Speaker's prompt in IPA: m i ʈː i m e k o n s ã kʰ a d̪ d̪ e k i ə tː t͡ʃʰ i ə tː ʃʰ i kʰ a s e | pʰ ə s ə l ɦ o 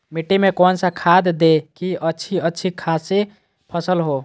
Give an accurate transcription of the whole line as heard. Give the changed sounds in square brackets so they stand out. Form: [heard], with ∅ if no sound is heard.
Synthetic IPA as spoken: m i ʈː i m e k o n s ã kʰ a d̪ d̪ e k i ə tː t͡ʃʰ i ə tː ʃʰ i kʰ a s e | pʰ ə s ə l ɦ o